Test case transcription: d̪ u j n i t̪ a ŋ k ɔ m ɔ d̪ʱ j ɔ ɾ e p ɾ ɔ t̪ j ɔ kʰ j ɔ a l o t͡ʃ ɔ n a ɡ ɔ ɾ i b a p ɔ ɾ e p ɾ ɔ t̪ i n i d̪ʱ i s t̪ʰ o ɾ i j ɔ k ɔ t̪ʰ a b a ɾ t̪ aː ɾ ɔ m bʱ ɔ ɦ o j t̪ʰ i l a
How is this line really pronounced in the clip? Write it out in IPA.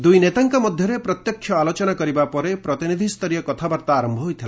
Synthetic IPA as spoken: d̪ u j n e t̪ a ŋ k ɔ m ɔ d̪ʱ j ɔ ɾ e p ɾ ɔ t̪ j ɔ kʰ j ɔ a l o t͡ʃ ɔ n a k ɔ ɾ i b a p ɔ ɾ e p ɾ ɔ t̪ i n i d̪ʱ i s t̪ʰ ɔ ɾ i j ɔ k ɔ t̪ʰ a b a ɾ t̪ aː ɾ ɔ m bʱ ɔ ɦ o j t̪ʰ i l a